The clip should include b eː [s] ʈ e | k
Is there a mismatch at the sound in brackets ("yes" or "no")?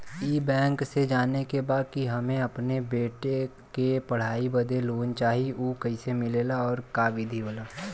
yes